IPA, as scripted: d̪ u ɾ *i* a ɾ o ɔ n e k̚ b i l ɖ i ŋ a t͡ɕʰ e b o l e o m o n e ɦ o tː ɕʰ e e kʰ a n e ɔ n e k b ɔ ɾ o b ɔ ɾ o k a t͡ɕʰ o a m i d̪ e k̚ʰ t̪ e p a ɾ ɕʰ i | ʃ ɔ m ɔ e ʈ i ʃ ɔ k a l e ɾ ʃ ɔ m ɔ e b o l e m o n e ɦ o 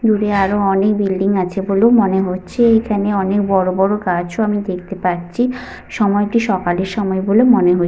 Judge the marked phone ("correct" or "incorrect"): incorrect